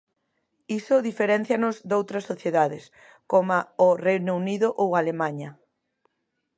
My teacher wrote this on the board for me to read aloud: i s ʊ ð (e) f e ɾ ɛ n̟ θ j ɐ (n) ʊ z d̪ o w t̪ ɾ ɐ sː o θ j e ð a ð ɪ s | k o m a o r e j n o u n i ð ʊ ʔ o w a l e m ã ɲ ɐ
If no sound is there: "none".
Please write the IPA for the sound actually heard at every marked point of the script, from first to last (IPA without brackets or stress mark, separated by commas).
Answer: i, n